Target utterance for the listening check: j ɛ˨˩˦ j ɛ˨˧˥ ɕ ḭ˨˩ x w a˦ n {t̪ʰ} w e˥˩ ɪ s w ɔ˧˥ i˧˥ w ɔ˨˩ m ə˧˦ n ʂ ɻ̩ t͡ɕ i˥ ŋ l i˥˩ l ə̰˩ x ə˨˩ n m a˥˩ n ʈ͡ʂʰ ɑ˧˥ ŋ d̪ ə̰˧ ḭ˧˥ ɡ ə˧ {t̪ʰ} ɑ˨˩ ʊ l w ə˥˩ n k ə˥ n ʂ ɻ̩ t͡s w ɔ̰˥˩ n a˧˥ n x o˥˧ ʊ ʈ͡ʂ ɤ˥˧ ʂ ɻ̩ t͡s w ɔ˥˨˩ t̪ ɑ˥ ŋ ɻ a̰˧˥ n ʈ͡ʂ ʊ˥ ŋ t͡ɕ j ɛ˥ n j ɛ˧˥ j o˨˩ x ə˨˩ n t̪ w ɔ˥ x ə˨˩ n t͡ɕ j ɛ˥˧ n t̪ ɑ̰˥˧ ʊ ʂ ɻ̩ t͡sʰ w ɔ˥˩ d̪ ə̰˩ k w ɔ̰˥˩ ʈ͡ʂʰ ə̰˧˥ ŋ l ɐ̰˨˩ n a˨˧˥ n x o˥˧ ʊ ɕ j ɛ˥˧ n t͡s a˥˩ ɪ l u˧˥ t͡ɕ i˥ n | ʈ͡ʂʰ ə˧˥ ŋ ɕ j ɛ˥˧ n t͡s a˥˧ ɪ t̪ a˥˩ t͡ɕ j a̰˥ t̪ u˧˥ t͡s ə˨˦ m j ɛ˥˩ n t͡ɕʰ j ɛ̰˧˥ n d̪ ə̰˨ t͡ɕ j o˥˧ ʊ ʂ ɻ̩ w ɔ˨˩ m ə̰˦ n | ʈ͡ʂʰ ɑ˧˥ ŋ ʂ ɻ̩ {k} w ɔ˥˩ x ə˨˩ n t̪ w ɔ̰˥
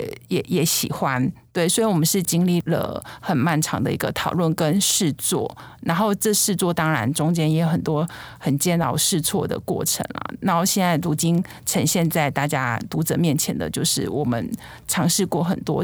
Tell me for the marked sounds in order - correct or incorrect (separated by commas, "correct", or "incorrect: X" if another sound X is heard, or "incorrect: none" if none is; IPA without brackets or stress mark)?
incorrect: t̪, correct, correct